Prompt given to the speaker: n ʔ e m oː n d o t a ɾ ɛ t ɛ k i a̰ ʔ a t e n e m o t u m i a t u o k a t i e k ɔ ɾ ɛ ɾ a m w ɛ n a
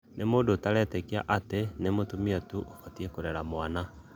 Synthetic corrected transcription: n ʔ e m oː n d o t a ɾ ɛ t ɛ k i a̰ ʔ a t e n e m o t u m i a t u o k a t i e k o ɾ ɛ ɾ a m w a n a